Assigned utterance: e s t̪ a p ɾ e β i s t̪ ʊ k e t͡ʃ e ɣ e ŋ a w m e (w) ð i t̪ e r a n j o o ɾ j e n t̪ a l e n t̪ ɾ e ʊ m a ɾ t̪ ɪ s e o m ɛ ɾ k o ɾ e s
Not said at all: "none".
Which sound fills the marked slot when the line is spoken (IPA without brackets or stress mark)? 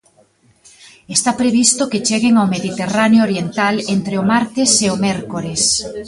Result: none